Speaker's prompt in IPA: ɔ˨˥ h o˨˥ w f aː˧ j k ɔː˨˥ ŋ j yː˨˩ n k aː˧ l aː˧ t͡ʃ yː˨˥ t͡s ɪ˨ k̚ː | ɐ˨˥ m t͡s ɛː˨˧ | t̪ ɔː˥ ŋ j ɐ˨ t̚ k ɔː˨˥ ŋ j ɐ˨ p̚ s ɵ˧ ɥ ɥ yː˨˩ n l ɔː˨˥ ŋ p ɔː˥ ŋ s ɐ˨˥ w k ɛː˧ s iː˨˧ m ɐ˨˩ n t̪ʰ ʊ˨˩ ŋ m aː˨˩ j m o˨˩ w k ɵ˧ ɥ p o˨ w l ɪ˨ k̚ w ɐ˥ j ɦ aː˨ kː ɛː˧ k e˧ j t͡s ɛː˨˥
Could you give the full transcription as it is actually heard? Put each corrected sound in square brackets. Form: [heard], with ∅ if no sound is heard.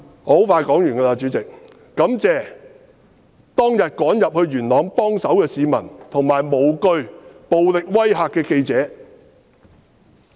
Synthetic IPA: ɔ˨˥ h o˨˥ w f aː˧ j k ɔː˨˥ ŋ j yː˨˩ n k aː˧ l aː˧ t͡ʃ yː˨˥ t͡s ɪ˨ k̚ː | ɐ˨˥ m t͡s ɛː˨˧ | t̪ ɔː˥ ŋ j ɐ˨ t̚ k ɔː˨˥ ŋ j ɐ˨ p̚ [h] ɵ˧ ɥ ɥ yː˨˩ n l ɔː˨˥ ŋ p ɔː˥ ŋ s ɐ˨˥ w k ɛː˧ s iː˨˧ m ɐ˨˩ n t̪ʰ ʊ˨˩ ŋ m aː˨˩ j m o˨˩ w k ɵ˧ ɥ p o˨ w l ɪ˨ k̚ w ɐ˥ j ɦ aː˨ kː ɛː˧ k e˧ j t͡s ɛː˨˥